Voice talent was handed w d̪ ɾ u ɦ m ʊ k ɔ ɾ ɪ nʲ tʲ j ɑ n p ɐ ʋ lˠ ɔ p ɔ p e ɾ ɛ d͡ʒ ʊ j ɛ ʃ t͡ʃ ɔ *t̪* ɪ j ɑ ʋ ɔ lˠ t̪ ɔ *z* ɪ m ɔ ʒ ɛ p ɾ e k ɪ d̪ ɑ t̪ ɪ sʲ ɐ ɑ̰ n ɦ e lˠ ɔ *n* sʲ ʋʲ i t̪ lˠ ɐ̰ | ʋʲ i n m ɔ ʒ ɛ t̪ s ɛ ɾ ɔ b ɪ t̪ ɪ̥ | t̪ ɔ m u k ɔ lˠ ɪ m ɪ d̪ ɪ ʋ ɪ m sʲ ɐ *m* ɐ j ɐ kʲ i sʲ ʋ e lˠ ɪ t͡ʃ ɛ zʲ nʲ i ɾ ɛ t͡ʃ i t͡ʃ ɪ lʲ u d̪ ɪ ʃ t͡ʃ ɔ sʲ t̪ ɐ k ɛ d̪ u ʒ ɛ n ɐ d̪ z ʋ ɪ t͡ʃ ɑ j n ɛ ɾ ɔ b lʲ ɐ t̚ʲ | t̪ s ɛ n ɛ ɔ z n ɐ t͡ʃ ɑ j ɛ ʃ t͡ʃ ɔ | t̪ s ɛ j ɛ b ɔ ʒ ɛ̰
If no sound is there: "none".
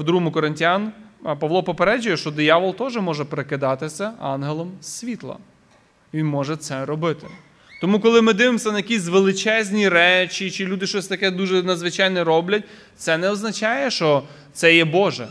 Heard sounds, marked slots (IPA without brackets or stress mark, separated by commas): d̪, ʒ, m, n